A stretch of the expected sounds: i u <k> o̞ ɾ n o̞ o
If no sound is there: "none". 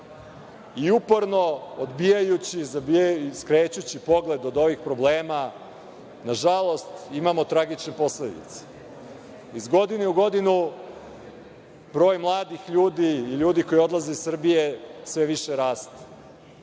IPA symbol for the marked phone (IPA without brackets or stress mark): p